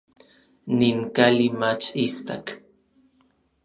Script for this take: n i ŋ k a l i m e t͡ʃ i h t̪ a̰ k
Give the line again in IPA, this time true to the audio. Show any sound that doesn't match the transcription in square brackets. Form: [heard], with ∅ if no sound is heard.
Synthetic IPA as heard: n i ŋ k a l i m [a] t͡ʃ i [s] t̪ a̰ k